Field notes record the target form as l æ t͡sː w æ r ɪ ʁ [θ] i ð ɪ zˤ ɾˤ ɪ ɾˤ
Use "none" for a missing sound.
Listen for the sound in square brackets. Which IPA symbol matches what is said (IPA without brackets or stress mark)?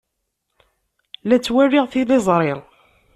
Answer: θ